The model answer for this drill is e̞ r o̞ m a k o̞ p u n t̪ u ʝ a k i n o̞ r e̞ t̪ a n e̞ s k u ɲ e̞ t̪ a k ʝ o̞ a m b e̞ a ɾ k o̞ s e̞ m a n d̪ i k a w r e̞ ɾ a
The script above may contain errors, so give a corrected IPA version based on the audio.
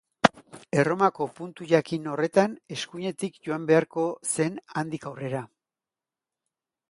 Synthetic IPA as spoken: e̞ r o̞ m a k o̞ p u n t̪ u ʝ a k i n o̞ r e̞ t̪ a n e̞ s k u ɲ e̞ t̪ i k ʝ o̞ a m b e̞ a ɾ k o̞ s e̞ n a n d̪ i k a w r e̞ ɾ a